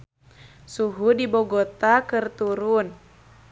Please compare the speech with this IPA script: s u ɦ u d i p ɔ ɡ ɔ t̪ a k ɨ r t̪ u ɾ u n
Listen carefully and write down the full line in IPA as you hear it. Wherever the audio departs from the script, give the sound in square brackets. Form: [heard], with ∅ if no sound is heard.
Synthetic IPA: s u ɦ u d i [b] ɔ ɡ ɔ t̪ a k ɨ r t̪ u ɾ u n